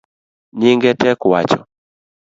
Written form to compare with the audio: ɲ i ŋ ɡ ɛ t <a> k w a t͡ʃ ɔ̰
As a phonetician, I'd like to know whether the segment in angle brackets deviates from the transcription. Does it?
yes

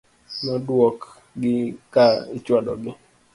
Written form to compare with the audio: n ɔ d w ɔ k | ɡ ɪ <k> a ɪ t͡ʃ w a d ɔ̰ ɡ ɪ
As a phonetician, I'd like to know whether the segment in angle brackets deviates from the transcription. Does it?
no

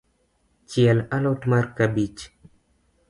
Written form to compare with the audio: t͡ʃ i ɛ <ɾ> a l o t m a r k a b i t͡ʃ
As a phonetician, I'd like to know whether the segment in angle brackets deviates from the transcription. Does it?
yes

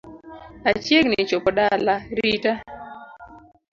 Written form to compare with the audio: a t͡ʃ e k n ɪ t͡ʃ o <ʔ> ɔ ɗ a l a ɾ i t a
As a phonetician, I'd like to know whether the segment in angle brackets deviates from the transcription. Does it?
yes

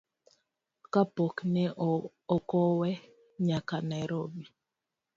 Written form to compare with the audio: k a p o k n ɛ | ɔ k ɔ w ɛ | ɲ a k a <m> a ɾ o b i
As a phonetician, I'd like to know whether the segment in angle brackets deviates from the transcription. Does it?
yes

